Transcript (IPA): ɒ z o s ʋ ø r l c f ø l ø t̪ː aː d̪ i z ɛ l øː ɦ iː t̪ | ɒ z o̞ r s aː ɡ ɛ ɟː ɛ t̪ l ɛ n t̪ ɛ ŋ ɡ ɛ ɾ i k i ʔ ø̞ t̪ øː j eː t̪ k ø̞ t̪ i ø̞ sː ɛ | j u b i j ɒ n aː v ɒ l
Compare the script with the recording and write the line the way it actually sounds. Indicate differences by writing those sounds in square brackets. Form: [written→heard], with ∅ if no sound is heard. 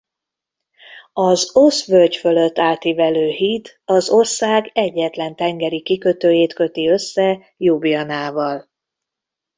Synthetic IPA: ɒ z o s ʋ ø [r→∅] l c f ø l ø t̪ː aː [d̪→t̪] i [z→v] ɛ l øː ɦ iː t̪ | ɒ z o̞ r s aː ɡ ɛ ɟː ɛ t̪ l ɛ n t̪ ɛ ŋ ɡ ɛ ɾ i k i [ʔ→k] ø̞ t̪ øː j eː t̪ k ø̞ t̪ i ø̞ sː ɛ | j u b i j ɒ n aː v ɒ l